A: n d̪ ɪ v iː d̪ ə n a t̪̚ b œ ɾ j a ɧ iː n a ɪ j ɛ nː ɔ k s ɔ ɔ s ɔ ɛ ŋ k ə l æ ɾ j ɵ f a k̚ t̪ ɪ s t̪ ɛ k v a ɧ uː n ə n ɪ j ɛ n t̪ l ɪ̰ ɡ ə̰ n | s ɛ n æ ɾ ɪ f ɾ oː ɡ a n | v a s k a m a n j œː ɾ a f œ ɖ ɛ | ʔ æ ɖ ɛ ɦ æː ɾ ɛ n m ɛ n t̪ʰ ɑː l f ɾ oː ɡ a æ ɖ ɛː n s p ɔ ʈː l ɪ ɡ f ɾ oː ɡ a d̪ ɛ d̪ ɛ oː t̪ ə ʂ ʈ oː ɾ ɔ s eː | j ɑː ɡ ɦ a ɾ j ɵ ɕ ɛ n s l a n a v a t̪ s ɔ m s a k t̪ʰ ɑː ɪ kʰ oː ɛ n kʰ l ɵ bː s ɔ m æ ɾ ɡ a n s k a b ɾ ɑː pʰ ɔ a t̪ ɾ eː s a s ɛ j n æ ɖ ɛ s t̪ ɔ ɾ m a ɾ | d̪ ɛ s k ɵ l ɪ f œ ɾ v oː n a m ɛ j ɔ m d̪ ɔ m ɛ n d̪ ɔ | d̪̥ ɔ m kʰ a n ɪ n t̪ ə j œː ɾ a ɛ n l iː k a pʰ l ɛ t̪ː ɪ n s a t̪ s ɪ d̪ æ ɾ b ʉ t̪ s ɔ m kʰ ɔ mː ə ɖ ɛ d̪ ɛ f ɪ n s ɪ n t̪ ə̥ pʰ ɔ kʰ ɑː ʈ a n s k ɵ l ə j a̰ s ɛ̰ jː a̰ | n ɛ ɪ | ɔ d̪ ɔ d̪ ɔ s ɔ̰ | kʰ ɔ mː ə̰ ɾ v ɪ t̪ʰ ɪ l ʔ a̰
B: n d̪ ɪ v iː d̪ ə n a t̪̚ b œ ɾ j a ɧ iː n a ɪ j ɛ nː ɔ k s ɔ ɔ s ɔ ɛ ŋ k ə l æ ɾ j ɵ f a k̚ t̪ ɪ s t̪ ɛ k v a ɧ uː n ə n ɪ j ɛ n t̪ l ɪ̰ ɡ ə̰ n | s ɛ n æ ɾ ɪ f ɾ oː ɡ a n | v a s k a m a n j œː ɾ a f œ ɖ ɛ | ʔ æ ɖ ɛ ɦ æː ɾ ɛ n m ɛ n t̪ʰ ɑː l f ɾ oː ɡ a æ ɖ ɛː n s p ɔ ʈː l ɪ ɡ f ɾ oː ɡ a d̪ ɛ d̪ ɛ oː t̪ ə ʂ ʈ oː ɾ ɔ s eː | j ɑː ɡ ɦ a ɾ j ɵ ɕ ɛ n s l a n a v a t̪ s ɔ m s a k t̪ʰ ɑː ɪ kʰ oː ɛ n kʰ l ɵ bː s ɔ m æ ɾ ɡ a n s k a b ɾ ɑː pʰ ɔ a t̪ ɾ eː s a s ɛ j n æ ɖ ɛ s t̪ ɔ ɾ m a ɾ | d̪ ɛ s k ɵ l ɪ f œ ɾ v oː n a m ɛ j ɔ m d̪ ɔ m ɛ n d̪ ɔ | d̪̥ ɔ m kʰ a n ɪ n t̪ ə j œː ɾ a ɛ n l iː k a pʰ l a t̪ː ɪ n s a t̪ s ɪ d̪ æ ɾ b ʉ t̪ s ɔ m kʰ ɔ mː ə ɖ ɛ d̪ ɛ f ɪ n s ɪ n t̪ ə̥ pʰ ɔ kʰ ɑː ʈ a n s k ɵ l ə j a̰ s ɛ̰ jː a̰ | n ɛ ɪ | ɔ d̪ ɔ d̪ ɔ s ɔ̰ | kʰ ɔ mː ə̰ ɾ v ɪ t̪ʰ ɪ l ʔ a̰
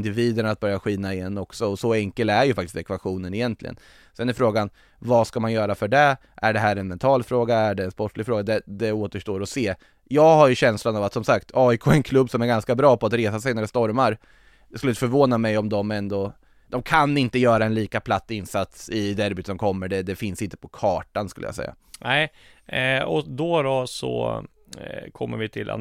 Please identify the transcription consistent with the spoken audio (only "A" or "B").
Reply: B